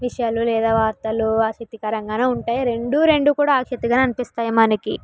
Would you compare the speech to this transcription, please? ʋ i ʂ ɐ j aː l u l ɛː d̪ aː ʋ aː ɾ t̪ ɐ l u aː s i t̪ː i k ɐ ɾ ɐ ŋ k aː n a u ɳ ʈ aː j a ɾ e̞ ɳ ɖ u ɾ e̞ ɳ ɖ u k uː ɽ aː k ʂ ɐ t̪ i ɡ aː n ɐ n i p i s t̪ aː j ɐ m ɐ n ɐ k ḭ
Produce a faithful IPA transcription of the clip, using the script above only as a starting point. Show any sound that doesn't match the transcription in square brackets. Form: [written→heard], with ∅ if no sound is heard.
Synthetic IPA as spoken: ʋ i ʂ ɐ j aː l u l ɛː d̪ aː ʋ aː ɾ t̪ ɐ l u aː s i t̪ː i k ɐ ɾ ɐ ŋ [k→ɡ] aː n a u ɳ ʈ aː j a ɾ e̞ ɳ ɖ u ɾ e̞ ɳ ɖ u k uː ɽ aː k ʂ ɐ t̪ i ɡ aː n ɐ n i p i s t̪ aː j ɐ m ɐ n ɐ k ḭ